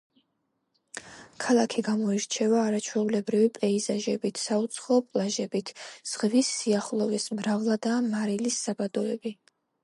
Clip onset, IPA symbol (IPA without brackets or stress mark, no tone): kʰ